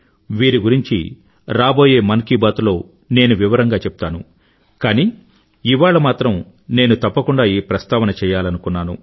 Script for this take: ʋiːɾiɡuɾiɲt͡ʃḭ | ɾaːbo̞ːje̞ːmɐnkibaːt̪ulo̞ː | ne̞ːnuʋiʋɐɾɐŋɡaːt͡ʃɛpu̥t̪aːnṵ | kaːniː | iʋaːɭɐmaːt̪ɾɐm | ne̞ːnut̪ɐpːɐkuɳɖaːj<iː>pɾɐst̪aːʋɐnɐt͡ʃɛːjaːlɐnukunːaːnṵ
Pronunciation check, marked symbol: correct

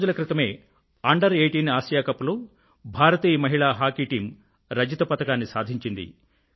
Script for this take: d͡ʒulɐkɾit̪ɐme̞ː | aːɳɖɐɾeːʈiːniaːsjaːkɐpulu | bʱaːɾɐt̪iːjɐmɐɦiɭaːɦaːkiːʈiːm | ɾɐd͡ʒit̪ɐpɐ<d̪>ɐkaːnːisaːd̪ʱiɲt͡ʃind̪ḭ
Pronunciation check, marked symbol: incorrect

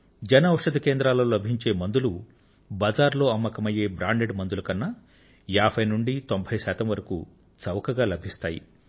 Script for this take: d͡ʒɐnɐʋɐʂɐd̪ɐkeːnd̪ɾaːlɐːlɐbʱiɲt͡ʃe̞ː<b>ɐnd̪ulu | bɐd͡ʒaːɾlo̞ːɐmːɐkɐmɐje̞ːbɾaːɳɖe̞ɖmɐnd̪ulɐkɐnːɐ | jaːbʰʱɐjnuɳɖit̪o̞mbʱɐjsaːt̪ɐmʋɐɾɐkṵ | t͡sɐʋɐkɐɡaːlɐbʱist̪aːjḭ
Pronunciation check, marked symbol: incorrect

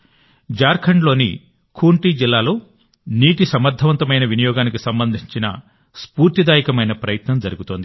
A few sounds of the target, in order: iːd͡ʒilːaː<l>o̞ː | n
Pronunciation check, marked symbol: correct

